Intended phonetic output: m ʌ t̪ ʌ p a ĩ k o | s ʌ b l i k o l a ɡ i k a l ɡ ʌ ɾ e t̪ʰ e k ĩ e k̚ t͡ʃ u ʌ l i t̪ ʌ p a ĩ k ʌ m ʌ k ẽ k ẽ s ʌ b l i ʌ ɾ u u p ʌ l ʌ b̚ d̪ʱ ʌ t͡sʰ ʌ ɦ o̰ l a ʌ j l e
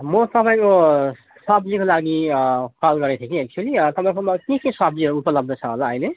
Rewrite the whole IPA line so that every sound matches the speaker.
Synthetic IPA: m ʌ t̪ ʌ p a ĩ k o | s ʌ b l i k o l a ɡ i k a l ɡ ʌ ɾ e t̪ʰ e k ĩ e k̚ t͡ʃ u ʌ l i t̪ ʌ p a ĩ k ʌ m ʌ k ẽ k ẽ s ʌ b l i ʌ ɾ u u p ʌ l ʌ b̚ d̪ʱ ʌ t͡sʰ ʌ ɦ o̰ l a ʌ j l e